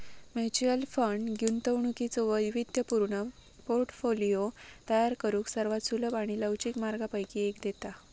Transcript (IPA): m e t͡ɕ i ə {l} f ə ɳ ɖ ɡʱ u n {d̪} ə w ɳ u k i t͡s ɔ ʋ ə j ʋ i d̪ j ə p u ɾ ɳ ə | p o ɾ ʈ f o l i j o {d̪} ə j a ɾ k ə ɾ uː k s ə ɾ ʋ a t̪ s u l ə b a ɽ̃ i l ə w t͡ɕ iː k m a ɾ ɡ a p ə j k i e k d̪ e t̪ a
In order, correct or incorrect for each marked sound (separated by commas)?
correct, incorrect, incorrect